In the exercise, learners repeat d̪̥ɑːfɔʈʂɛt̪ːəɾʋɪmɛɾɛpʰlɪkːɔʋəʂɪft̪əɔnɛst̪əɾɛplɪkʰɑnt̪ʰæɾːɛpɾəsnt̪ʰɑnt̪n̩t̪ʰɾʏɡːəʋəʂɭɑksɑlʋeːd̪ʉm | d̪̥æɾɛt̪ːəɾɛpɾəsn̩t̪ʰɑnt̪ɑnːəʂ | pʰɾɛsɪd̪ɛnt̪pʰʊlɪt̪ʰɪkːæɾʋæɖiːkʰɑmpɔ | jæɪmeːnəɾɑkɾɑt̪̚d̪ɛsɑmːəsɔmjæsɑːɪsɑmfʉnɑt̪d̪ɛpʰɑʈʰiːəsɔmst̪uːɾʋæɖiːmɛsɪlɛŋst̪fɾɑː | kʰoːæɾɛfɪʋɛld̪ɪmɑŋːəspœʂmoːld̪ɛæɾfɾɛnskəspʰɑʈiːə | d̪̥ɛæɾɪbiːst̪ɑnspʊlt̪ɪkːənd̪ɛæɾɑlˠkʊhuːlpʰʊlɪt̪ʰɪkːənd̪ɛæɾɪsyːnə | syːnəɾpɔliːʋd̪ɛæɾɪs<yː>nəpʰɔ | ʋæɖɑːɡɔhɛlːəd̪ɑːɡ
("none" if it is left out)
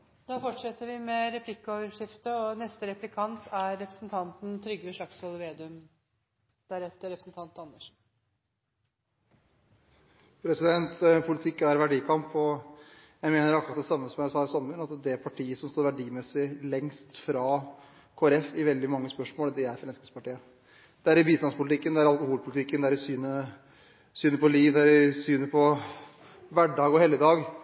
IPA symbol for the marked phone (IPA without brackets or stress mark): yː